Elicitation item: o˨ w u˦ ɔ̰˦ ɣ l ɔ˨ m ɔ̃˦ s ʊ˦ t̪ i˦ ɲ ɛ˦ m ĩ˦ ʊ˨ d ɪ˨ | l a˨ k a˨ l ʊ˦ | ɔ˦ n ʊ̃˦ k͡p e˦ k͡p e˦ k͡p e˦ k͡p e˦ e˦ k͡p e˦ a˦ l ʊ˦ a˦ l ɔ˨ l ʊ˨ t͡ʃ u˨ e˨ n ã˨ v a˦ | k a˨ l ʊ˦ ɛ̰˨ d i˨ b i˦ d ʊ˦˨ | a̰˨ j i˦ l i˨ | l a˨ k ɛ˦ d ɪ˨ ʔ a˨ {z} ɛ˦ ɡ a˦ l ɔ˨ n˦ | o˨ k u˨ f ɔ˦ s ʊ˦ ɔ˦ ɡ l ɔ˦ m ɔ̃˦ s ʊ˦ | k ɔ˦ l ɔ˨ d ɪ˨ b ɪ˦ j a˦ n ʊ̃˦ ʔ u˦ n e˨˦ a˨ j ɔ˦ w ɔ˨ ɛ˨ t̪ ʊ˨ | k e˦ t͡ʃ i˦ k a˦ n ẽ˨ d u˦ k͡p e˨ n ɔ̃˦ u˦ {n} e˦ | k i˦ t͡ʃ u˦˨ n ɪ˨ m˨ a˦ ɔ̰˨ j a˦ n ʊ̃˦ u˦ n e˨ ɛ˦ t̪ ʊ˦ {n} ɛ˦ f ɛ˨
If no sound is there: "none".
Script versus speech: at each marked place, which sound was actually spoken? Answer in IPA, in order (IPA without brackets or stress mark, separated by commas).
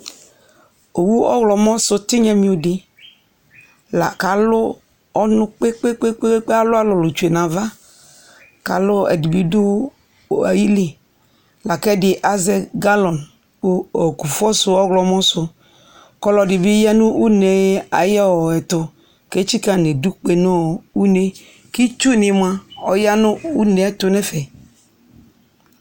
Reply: z, n, n